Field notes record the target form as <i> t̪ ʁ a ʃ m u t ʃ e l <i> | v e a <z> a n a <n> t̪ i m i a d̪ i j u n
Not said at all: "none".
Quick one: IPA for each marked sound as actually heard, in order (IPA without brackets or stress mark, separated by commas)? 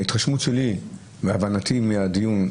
i, i, v, none